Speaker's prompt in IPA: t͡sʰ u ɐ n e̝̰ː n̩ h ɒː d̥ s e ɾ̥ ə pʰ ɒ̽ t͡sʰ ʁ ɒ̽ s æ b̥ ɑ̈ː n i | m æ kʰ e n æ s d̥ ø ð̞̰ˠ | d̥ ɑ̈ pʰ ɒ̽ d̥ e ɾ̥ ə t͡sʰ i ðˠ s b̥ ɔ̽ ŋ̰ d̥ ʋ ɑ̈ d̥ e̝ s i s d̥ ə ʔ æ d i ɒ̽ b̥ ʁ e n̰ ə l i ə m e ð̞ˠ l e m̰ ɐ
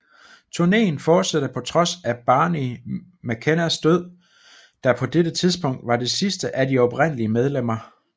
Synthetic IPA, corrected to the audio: t͡sʰ u ɐ n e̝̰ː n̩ f ɒː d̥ s æ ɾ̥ ə pʰ ɒ̽ t͡sʰ ʁ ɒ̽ s æ b̥ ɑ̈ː n i | m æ kʰ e n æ s d̥ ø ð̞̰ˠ | d̥ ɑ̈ pʰ ɒ̽ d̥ e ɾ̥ ə t͡sʰ i ðˠ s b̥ ɔ̽ ŋ̰ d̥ ʋ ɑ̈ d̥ e̝ s i s d̥ ə ʔ æ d i ɒ̽ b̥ ʁ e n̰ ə l i ə m e ð̞ˠ l e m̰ ɐ